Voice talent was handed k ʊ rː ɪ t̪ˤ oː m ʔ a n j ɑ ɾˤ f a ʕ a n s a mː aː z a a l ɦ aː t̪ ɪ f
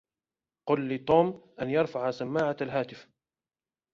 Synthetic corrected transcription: q ʊ lː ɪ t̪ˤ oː m ʔ a n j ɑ ɾˤ f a ʕ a s a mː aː ʕ a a l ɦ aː t̪ ɪ f